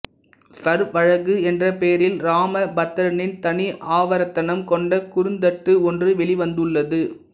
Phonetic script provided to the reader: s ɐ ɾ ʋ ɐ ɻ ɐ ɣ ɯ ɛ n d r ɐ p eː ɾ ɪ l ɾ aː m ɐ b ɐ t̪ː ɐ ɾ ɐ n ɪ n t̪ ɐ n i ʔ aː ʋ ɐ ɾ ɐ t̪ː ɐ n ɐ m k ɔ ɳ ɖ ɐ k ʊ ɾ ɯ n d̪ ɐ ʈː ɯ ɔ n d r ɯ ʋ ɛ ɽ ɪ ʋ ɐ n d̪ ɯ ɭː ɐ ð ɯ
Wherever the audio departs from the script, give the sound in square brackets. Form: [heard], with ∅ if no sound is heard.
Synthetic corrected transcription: s ɐ ɾ ʋ ɐ ɻ ɐ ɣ ɯ ɛ n d r ɐ p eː ɾ ɪ l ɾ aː m ɐ b ɐ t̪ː ɐ ɾ ɐ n ɪ n t̪ ɐ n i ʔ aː ʋ ɐ ɾ ɐ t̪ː ɐ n ɐ m k ɔ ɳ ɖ ɐ k ʊ ɾ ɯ n d̪ ɐ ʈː ɯ ɔ n d r ɯ ʋ ɛ [ɭ] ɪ ʋ ɐ n d̪ ɯ ɭː ɐ ð ɯ